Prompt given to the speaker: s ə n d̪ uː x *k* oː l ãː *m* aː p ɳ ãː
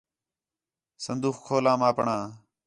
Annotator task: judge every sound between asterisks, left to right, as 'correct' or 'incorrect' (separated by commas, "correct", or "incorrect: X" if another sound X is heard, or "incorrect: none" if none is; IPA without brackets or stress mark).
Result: incorrect: kʰ, correct